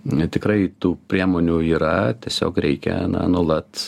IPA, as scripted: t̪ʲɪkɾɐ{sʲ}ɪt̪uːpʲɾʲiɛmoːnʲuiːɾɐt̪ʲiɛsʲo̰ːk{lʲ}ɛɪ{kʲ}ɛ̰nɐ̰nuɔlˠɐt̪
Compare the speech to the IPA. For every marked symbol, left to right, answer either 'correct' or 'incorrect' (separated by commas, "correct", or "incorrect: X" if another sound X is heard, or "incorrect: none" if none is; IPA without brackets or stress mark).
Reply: incorrect: none, incorrect: ɾʲ, correct